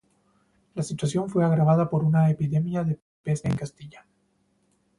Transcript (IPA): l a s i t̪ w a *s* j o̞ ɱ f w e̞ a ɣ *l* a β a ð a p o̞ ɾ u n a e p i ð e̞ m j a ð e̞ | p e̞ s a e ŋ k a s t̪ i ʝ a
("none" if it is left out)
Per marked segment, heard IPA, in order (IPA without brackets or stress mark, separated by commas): s, ɾ